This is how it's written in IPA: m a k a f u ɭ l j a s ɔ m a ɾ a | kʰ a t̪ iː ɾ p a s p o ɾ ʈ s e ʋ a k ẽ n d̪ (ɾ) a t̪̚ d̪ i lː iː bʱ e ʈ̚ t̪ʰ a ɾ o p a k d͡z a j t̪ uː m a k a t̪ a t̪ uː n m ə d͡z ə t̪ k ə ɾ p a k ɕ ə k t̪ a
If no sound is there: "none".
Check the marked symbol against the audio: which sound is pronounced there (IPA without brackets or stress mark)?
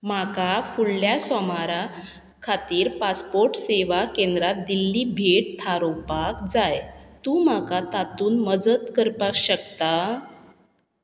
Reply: ɾ